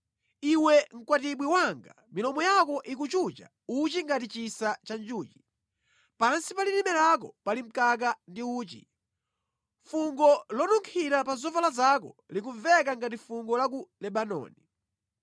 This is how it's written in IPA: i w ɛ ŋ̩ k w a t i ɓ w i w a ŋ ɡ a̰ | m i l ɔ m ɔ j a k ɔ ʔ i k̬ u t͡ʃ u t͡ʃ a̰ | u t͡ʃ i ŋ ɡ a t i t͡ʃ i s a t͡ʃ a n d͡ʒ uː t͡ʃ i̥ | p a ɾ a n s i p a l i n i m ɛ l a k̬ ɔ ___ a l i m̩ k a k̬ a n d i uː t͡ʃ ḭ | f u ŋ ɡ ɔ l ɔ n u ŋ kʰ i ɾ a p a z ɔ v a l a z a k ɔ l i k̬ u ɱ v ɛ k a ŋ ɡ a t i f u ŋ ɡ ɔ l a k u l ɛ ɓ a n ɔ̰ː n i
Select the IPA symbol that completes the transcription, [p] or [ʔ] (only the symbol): p